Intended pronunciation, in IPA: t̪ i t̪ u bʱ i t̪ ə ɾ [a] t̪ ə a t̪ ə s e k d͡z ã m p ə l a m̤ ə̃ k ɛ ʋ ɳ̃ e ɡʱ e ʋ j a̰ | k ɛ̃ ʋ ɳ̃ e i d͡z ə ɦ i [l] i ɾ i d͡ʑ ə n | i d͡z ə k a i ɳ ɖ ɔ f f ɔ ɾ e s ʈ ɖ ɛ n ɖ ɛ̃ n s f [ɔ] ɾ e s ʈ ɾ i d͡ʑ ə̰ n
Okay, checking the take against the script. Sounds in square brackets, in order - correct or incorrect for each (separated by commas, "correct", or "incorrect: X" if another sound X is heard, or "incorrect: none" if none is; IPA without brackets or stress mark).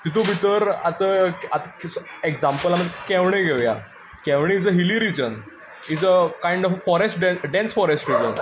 correct, correct, correct